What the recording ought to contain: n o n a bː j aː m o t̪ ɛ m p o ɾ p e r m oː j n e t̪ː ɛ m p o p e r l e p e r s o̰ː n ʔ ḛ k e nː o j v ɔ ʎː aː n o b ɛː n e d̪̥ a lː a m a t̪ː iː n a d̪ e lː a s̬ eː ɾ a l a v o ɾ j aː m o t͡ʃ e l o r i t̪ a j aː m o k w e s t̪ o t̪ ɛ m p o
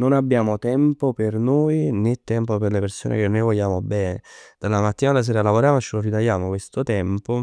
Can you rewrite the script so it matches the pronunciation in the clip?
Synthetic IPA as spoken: n o n a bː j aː m o t̪ ɛ m p o p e r n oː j n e t̪ː ɛ m p o p e r l e p e r s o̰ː n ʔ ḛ k e nː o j v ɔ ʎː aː m o b ɛː n e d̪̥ a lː a m a t̪ː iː n a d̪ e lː a s̬ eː ɾ a l a v o ɾ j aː m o t͡ʃ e l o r i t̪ a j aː m o k w e s t̪ o t̪ ɛ m p o